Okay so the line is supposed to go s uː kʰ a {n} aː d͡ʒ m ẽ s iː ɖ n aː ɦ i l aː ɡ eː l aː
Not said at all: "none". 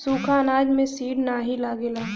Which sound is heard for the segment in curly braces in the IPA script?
n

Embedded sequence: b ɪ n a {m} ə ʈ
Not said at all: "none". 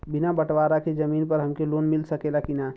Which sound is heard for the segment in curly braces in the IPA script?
b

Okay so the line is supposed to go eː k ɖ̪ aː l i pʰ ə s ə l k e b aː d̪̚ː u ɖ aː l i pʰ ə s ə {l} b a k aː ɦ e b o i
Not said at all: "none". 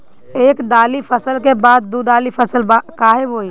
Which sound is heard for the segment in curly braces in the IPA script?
l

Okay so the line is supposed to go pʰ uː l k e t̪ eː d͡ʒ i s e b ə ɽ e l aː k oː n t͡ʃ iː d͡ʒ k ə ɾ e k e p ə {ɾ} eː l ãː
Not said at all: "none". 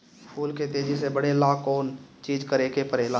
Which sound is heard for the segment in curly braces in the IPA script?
ɾ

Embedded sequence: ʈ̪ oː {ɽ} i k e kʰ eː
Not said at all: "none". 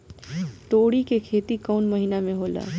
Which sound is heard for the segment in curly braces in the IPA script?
ɽ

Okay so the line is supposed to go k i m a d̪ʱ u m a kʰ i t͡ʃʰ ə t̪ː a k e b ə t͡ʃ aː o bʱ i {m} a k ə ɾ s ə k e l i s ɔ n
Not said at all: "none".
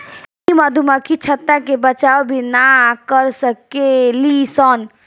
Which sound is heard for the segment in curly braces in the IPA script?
n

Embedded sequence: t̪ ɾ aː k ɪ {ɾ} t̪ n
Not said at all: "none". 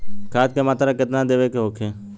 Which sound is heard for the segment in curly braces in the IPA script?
none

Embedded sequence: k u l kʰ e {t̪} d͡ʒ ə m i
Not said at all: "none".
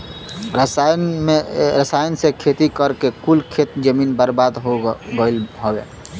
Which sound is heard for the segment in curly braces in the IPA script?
t̪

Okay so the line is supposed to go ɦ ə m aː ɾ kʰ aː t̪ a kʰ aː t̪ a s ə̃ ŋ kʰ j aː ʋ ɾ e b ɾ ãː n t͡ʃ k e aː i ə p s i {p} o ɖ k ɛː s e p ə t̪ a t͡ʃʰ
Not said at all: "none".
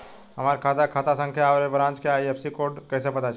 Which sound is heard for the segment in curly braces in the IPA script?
k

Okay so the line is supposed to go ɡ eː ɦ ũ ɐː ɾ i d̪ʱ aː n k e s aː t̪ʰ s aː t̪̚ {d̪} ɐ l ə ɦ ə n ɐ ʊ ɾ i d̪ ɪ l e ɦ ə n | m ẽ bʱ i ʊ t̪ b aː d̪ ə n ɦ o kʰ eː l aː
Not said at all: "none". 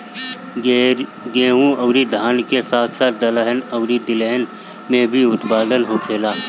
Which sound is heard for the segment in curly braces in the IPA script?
d̪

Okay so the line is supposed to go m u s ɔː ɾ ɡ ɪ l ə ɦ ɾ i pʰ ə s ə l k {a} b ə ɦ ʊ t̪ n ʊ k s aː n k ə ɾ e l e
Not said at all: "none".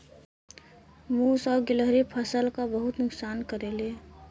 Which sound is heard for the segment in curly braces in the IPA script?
a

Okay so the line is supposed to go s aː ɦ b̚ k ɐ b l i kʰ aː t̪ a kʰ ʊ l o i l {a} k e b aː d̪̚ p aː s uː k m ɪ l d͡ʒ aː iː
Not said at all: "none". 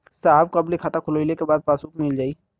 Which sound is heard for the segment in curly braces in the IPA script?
e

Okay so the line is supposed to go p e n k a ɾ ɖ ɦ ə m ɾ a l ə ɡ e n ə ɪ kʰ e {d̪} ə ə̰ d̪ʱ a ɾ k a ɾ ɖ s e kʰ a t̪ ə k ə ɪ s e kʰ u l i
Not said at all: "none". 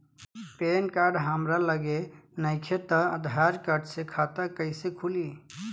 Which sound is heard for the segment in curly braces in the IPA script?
t̪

